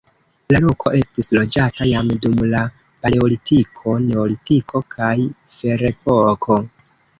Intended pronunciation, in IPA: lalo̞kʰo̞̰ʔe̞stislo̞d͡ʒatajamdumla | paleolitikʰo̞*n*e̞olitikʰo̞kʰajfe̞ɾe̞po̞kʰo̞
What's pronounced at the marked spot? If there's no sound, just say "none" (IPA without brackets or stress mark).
n